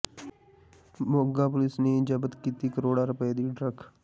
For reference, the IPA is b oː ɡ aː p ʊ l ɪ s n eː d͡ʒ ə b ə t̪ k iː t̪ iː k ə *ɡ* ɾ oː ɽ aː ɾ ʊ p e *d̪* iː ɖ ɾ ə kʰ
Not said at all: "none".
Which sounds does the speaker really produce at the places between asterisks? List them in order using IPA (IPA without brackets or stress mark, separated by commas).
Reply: none, d̪